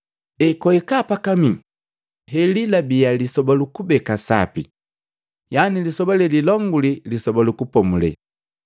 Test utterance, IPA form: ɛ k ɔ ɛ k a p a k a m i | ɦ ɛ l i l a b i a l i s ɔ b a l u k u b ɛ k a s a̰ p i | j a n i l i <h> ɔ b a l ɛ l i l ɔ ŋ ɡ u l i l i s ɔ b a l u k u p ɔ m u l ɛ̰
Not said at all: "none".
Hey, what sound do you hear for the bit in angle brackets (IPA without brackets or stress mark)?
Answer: s